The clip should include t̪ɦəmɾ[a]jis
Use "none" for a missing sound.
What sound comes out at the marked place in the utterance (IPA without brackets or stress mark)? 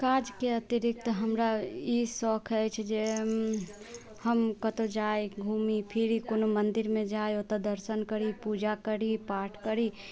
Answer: a